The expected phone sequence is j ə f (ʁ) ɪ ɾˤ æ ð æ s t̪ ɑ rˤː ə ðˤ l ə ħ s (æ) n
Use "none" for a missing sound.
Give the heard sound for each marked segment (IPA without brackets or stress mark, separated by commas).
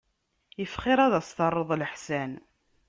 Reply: χ, æ